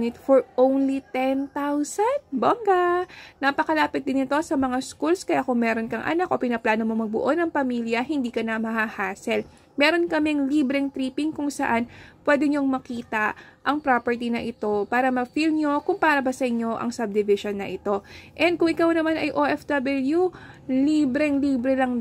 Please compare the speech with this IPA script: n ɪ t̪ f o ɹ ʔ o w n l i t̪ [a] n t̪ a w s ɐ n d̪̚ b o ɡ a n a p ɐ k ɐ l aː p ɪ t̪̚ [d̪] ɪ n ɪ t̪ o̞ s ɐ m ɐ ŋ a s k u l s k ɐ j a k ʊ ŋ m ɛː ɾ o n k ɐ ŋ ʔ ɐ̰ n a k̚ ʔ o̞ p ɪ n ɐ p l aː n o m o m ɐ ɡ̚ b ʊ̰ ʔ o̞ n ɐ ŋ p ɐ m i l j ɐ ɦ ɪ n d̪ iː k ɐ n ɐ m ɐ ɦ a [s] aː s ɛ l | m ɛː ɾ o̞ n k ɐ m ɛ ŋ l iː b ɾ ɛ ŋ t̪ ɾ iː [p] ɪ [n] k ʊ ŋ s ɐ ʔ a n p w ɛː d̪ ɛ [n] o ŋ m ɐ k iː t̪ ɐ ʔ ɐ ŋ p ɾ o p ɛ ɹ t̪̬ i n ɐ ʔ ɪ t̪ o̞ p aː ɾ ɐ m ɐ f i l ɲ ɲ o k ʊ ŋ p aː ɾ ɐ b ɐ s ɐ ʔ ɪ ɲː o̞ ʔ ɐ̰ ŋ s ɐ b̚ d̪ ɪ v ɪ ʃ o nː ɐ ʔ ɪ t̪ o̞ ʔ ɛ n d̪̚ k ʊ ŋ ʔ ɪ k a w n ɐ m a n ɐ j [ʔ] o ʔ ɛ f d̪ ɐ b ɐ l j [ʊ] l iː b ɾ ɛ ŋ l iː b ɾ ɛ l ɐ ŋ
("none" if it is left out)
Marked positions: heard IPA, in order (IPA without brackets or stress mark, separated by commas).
ɛ, d̪, h, p, ŋ, ɲ, ʔ, u